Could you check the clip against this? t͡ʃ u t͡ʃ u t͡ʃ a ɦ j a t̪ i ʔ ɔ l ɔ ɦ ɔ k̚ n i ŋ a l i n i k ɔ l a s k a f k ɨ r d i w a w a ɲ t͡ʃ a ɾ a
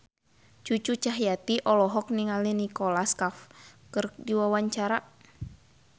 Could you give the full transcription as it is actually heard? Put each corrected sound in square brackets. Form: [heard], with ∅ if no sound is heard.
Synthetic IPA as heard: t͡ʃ u t͡ʃ u t͡ʃ a ɦ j a t̪ i ʔ ɔ l ɔ ɦ ɔ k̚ n i ŋ a l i n i k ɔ l a s k a f k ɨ r d i w a w a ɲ t͡ʃ a ɾ a